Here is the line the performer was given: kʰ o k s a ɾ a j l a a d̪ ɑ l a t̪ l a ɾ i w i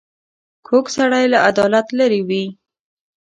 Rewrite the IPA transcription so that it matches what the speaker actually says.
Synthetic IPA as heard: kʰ o k s a ɽ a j l a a d̪ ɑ l a t̪ l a ɾ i w i